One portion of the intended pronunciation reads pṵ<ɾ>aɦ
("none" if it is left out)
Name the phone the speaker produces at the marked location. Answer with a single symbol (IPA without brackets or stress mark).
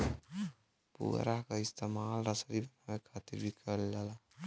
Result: ɾ